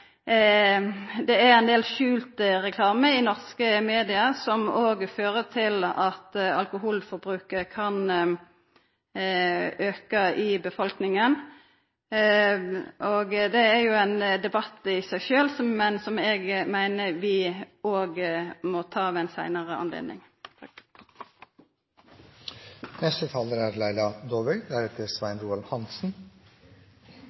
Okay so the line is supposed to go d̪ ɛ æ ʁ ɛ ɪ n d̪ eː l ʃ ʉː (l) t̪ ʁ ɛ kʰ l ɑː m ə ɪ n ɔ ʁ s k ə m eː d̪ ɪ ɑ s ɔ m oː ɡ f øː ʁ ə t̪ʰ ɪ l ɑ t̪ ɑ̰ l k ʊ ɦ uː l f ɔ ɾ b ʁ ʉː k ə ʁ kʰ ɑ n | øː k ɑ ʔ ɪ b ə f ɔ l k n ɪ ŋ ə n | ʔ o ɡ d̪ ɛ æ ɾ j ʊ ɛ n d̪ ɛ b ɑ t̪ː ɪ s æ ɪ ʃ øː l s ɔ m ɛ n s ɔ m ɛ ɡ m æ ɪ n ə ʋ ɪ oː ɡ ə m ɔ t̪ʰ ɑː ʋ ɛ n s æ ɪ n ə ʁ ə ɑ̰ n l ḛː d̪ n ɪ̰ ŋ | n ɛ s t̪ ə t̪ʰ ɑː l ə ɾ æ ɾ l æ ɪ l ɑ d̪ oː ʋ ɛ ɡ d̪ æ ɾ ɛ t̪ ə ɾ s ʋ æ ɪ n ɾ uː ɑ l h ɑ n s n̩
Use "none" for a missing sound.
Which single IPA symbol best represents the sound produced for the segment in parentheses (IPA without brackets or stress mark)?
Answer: l